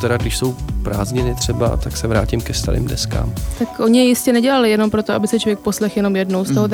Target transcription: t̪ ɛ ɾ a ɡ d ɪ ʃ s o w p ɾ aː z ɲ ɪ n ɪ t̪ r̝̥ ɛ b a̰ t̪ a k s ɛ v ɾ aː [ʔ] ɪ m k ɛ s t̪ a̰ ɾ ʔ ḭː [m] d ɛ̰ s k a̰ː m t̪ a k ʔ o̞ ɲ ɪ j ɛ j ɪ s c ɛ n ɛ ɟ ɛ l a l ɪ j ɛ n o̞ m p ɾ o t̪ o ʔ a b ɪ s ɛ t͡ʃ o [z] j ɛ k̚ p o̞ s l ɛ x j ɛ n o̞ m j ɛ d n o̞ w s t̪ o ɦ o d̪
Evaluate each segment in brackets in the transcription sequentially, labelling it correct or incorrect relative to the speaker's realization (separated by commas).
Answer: incorrect, correct, incorrect